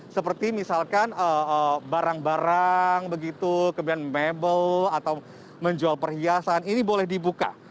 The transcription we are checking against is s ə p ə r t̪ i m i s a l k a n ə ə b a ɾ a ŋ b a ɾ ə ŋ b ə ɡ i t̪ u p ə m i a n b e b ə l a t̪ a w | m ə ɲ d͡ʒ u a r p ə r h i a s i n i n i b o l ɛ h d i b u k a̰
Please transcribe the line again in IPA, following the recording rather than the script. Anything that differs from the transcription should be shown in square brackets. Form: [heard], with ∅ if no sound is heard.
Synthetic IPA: s ə p ə r t̪ i m i s a l k a n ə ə b a ɾ a ŋ b a ɾ [a] ŋ b ə ɡ i t̪ u [k] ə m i a n [m] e b ə l a t̪ a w | m ə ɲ d͡ʒ u a [l] p ə r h i a s [a] n i n i b o l ɛ h d i b u k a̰